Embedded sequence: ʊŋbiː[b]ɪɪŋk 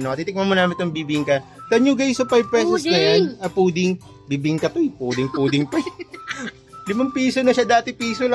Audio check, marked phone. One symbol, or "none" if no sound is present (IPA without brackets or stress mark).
b